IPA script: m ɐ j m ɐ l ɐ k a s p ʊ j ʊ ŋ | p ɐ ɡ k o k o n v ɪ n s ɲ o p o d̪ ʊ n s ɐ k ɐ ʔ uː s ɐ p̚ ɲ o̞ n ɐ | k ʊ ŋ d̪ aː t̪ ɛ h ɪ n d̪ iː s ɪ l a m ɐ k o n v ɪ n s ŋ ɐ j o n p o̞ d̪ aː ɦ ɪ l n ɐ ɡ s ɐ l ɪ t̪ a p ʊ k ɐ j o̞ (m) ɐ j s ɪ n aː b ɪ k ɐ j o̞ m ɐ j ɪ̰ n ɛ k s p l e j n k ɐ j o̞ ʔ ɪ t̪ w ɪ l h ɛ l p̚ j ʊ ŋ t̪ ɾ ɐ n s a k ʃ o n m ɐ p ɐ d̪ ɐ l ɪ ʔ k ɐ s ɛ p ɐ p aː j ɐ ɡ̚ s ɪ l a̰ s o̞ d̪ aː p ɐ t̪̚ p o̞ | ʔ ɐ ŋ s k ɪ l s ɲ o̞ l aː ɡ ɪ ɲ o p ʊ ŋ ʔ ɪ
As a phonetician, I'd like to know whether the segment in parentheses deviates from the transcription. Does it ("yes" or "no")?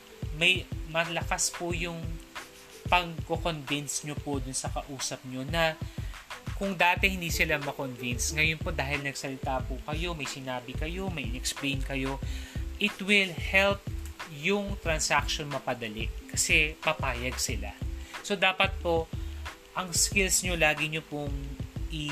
no